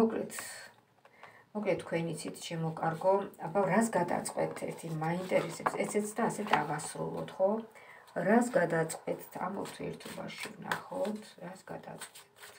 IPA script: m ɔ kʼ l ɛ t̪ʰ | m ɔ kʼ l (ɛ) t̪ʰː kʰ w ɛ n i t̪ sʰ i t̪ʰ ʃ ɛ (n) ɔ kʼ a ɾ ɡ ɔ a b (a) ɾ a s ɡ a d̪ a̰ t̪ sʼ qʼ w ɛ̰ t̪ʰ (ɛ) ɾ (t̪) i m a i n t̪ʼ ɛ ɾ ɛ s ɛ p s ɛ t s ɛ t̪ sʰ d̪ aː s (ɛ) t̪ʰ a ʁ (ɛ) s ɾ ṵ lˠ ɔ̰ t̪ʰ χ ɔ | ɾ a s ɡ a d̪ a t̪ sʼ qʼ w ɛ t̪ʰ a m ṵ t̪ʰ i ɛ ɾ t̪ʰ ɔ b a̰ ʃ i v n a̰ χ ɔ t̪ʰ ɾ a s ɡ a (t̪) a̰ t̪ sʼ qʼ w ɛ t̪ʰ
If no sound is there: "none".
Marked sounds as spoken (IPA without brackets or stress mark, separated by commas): ɛ, m, a, ɛ, t̪ʰ, ɛ, a, d̪